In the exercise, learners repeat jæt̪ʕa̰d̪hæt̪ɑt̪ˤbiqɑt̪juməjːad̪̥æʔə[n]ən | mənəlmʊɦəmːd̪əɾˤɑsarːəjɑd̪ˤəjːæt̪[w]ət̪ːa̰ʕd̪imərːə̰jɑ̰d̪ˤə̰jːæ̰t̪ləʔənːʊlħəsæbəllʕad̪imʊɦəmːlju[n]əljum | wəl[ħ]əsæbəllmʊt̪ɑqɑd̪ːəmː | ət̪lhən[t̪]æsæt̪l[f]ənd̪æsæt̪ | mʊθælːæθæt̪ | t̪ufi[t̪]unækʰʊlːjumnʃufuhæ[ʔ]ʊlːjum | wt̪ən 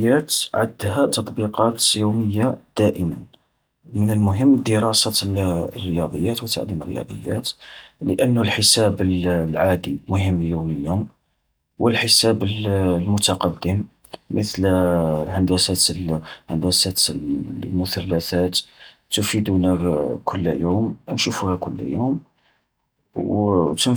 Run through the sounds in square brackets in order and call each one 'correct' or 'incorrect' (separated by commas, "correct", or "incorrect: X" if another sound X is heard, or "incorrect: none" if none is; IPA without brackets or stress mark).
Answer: incorrect: m, correct, incorrect: m, correct, incorrect: d̪, incorrect: h, incorrect: d̪, incorrect: k